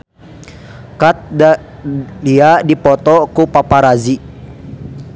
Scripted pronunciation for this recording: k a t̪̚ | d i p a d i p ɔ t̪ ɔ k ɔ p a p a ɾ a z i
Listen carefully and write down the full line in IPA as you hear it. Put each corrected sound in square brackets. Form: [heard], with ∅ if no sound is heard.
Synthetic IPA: k a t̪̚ | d i [∅] a d i p ɔ t̪ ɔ k [u] p a p a ɾ a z i